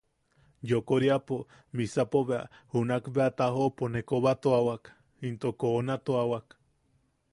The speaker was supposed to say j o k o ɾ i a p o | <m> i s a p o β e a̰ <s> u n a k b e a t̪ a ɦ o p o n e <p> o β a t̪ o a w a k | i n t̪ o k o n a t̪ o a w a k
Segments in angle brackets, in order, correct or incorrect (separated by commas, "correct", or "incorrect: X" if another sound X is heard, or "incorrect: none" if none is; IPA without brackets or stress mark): correct, incorrect: h, incorrect: k